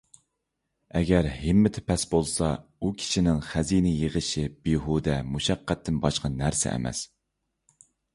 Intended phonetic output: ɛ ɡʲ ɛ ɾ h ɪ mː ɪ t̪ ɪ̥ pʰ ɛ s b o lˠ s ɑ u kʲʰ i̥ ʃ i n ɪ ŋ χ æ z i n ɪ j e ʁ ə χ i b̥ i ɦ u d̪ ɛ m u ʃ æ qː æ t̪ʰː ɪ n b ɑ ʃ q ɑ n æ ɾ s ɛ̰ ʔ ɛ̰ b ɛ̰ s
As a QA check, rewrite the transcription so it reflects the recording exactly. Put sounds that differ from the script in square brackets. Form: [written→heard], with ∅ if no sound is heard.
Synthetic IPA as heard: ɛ ɡʲ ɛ ɾ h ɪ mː ɪ [t̪→t̪ʰ] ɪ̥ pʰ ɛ s b o lˠ s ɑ u kʲʰ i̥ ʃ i n ɪ ŋ χ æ z i n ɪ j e ʁ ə [χ→ʃ] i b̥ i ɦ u d̪ ɛ m u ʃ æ qː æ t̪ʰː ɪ n b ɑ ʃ q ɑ n æ ɾ s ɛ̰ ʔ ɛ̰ [b→m] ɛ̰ s